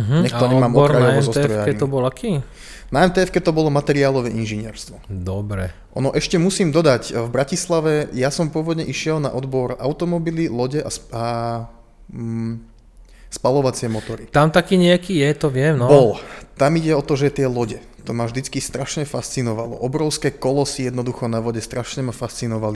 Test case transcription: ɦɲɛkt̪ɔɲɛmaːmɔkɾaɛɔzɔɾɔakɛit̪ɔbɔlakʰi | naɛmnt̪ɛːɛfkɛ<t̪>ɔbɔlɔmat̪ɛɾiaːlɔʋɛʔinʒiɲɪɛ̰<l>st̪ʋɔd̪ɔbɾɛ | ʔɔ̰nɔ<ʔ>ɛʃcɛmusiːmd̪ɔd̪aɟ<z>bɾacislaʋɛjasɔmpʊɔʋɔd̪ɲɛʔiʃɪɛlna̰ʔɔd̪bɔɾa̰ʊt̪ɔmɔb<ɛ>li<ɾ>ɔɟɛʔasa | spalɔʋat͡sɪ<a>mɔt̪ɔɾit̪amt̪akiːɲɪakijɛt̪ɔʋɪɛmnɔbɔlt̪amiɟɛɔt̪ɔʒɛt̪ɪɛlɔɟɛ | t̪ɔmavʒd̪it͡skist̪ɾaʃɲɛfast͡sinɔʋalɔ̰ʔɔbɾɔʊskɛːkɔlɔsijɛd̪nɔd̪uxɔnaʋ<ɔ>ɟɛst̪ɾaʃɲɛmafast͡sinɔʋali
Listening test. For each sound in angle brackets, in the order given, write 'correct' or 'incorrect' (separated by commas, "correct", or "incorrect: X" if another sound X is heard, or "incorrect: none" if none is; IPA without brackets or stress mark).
correct, incorrect: ɾ, correct, incorrect: v, incorrect: i, incorrect: l, incorrect: ɛ, correct